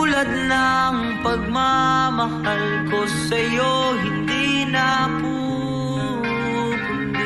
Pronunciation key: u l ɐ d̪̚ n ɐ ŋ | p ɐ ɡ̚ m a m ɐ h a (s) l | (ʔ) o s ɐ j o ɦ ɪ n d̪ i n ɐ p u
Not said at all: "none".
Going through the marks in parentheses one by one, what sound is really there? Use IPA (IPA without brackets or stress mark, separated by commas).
none, k